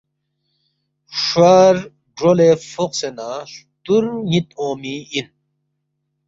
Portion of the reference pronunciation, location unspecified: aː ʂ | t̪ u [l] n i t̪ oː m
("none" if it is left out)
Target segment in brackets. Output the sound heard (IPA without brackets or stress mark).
ɾ